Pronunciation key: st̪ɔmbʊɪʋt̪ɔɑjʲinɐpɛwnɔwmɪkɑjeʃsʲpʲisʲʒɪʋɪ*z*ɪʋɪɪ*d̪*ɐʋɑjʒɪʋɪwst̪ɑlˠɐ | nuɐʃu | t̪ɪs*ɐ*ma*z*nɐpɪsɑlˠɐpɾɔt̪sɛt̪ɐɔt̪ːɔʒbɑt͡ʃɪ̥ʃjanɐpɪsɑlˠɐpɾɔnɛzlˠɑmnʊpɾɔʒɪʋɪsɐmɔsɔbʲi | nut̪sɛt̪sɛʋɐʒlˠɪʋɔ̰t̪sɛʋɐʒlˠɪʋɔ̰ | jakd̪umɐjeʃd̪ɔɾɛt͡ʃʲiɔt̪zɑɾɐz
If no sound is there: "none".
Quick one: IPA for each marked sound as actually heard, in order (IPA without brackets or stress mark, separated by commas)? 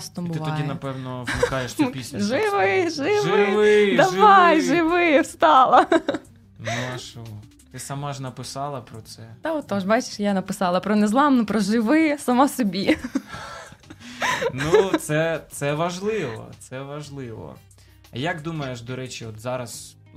ʒ, d̪, ɐ, ʒ